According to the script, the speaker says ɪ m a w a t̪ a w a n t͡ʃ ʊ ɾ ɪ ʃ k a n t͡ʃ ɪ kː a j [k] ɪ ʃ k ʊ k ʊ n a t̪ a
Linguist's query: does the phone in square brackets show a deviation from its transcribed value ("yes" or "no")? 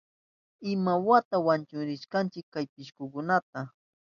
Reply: yes